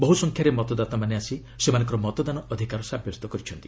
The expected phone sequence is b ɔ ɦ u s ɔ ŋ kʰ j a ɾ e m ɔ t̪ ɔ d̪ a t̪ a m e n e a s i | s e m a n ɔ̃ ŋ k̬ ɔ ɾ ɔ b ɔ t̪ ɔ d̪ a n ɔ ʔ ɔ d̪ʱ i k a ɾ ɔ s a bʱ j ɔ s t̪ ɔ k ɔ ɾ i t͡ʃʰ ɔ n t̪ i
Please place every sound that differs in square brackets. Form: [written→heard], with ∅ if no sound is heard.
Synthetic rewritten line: b ɔ ɦ u s ɔ ŋ kʰ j a ɾ e m ɔ t̪ ɔ d̪ a t̪ a m [e→a] n e a s i | s e m a n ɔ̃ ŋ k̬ ɔ ɾ ɔ [b→m] ɔ t̪ ɔ d̪ a n ɔ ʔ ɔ d̪ʱ i k a ɾ ɔ s a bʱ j ɔ s t̪ ɔ k ɔ ɾ i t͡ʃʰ ɔ n t̪ i